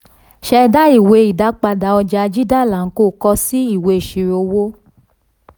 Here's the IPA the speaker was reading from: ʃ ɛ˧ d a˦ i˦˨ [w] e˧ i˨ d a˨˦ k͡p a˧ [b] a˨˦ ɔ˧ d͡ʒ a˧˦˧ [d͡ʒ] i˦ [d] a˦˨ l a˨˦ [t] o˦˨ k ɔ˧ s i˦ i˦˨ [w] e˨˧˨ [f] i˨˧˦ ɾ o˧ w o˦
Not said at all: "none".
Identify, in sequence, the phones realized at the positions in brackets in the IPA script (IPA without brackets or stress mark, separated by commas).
w, d, d͡ʒ, d, k, w, ʃ